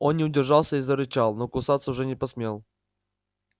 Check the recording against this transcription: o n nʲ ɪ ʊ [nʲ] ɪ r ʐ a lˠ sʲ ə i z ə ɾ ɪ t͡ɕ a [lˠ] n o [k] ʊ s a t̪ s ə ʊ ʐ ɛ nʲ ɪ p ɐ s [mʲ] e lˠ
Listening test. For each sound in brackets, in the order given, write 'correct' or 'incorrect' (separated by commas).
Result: incorrect, correct, correct, correct